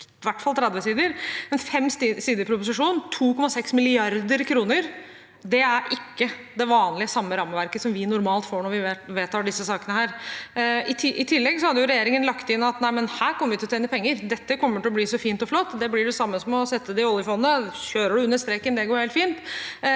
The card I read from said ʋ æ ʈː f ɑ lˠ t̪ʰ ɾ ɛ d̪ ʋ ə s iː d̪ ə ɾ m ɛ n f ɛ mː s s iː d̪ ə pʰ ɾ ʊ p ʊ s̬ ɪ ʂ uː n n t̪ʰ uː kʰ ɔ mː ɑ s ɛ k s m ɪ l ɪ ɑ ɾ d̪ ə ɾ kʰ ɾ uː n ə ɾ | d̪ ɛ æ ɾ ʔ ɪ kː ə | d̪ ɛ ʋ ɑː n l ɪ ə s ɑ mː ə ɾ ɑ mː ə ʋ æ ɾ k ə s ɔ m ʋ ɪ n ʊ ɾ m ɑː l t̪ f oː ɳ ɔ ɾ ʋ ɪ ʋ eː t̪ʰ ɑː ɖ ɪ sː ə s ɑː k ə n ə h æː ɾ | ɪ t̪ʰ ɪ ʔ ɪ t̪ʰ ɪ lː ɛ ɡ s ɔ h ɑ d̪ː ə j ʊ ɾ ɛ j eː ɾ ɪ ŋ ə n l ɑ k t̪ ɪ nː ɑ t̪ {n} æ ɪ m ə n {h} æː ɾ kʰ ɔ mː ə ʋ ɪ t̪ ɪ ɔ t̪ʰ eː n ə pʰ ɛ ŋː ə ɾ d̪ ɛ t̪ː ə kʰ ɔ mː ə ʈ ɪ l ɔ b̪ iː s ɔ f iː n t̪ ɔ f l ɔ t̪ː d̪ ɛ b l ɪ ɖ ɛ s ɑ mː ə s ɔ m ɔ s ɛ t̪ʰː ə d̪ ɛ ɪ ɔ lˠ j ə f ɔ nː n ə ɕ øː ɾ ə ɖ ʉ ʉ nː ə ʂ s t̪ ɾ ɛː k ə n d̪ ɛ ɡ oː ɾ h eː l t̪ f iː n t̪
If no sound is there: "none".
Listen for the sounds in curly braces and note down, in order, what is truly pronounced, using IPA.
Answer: n, h

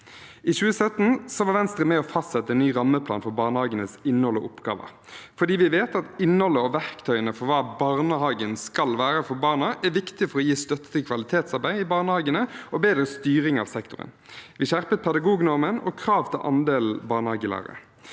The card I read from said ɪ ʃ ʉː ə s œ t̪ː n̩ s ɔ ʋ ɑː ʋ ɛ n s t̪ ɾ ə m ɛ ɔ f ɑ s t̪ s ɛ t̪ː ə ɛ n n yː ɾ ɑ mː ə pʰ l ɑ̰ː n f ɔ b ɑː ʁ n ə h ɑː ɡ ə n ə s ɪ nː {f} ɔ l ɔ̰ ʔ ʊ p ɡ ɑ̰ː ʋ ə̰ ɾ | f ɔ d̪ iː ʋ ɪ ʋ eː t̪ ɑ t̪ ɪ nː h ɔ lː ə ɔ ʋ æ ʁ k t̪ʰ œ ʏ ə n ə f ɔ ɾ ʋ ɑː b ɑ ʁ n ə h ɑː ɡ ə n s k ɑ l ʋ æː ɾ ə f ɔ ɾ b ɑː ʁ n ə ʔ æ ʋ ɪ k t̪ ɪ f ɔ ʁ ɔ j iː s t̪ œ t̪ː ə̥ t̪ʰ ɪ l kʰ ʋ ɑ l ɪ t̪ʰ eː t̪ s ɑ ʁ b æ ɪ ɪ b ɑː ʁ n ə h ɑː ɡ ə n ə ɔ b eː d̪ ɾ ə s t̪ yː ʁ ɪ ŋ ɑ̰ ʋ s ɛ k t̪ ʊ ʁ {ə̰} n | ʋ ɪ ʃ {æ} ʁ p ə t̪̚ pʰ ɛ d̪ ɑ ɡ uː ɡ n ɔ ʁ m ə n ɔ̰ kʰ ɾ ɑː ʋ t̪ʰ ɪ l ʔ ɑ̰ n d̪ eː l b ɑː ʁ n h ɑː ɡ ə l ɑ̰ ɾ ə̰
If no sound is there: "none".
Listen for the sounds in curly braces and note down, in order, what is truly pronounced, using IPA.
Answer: h, ə̰, æ

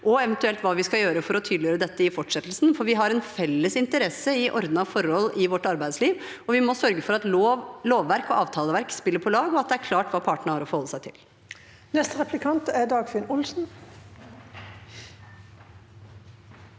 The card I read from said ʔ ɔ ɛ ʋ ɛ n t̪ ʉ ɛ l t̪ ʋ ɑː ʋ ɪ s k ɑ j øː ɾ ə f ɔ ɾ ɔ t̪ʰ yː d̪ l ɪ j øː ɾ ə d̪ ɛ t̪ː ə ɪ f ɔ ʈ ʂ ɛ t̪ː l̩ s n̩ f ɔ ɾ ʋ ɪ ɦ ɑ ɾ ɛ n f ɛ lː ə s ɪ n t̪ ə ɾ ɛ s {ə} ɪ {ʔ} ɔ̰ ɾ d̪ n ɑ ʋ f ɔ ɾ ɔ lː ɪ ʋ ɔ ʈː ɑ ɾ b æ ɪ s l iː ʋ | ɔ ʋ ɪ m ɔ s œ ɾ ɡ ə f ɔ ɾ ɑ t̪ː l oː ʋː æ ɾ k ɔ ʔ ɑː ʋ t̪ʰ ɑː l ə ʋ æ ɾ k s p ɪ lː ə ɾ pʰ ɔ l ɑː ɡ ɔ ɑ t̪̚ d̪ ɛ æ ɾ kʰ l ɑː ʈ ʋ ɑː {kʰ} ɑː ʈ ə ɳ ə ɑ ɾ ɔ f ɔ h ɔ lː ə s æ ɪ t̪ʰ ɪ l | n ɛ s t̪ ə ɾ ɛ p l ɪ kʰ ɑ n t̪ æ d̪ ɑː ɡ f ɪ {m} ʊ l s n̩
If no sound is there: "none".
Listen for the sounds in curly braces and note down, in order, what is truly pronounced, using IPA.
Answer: ə, ʔ, pʰ, n

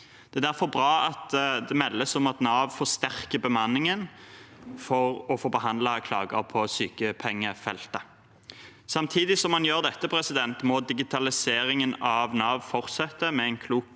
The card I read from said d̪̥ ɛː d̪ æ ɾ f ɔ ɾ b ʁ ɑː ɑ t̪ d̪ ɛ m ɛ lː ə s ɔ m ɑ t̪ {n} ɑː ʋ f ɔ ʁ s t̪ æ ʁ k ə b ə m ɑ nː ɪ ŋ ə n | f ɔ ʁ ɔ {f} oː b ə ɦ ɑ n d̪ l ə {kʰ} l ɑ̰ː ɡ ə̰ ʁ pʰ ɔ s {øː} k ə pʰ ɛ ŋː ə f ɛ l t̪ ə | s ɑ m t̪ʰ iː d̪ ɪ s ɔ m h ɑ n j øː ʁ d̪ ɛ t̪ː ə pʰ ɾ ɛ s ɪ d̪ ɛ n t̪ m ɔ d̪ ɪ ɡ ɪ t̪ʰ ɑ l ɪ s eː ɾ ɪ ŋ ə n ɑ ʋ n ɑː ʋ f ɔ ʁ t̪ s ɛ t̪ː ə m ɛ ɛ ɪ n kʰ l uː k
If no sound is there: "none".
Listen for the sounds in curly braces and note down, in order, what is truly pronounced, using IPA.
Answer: n, f, kʰ, yː

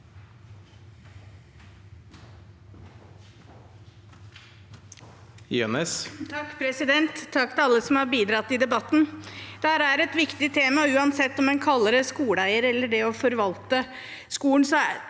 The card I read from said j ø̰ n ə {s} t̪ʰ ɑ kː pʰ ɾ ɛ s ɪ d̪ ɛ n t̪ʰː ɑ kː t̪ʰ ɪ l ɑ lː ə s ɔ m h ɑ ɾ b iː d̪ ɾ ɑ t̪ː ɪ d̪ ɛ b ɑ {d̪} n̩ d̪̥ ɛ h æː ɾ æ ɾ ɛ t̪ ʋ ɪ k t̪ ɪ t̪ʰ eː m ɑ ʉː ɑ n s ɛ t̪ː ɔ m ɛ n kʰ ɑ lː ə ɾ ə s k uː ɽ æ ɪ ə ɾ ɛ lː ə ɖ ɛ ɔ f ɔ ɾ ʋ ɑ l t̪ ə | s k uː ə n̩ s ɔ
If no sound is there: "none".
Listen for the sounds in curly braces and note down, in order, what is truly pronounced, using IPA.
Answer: s, t̪

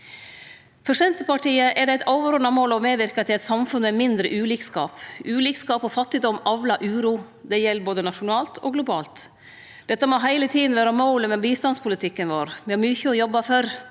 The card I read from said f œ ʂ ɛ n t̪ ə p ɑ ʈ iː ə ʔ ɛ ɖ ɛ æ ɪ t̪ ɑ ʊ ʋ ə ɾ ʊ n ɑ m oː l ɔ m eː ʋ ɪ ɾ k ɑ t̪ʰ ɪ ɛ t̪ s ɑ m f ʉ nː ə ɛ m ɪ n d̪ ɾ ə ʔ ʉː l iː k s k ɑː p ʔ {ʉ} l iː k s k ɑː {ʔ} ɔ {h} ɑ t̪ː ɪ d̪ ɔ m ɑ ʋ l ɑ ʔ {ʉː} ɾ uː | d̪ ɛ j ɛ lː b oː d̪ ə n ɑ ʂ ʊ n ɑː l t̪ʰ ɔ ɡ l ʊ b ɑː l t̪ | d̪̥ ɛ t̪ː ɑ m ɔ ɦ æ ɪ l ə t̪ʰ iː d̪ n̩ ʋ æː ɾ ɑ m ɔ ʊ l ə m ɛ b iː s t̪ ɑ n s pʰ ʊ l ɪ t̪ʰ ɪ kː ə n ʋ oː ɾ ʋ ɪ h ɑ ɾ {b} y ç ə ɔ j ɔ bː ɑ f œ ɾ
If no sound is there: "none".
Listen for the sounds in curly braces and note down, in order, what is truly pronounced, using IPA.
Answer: ʉː, p, f, ʉː, m

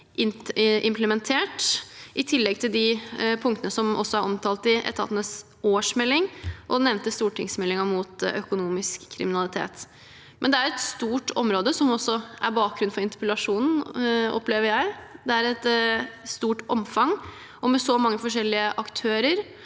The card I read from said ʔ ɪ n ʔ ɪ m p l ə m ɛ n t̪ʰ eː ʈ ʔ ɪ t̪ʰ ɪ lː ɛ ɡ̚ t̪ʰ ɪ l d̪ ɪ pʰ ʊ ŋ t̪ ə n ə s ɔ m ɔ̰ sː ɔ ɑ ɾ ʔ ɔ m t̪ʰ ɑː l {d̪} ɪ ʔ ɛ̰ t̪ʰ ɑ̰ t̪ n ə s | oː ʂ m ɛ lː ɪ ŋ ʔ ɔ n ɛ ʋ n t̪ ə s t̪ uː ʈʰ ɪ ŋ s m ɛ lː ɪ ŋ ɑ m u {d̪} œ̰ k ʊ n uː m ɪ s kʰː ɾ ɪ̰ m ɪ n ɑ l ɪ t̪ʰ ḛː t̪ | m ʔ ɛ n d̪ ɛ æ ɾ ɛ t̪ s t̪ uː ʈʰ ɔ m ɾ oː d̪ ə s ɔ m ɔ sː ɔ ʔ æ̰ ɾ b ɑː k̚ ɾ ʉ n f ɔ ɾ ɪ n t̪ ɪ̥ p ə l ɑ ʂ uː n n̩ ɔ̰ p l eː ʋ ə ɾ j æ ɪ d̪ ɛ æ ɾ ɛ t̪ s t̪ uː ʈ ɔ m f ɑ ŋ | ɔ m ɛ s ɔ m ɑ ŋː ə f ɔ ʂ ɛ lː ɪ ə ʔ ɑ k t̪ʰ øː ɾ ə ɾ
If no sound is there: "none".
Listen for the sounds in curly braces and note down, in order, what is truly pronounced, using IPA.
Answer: t̪, t̪

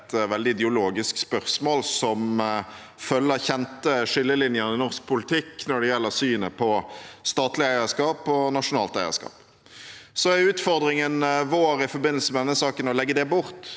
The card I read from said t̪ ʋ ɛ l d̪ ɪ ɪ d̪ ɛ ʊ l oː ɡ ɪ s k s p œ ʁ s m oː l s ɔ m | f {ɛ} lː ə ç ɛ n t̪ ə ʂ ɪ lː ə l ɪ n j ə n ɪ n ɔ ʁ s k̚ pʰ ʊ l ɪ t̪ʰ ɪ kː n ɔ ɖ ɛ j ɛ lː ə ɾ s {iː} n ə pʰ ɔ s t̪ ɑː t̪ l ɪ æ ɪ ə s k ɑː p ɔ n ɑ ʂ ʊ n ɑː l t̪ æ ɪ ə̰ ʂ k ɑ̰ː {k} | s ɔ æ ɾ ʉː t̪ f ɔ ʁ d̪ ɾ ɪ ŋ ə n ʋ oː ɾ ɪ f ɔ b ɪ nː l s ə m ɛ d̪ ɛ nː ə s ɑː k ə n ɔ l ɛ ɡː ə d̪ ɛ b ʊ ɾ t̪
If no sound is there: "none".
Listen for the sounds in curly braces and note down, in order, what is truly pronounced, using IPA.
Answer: œ, yː, p

